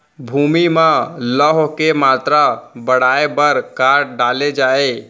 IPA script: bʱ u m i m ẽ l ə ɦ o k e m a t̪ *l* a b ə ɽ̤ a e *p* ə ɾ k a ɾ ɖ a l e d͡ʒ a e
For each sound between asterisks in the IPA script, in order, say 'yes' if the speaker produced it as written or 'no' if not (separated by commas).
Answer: no, no